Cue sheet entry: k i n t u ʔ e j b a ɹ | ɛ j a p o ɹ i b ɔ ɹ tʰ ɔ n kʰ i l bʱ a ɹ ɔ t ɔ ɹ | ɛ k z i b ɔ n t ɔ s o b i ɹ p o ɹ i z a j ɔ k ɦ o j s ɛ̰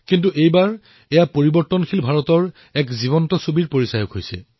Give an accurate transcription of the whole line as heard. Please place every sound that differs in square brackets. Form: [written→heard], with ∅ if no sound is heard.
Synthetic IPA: k i n t u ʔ e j b a ɹ | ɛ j a p o ɹ i b ɔ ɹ [tʰ→t] ɔ n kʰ i l bʱ a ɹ ɔ t ɔ ɹ | ɛ k z i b ɔ n t ɔ s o b i ɹ p o ɹ i [z→s] a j ɔ k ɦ o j s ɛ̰